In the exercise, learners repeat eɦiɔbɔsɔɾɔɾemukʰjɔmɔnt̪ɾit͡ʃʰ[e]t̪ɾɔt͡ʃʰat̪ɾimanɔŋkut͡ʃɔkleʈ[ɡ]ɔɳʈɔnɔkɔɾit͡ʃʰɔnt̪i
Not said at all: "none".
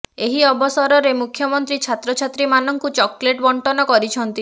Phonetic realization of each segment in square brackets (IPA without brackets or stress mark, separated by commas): a, b